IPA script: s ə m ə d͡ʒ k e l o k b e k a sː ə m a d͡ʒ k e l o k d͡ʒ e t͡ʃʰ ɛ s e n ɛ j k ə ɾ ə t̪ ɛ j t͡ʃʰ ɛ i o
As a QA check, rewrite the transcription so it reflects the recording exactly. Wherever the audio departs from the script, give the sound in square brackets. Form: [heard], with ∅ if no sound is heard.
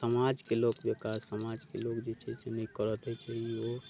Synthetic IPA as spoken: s ə m [a] d͡ʒ k e l o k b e k a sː ə m a d͡ʒ k e l o k d͡ʒ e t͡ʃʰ ɛ s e n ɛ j k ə ɾ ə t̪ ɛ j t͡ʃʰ ɛ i o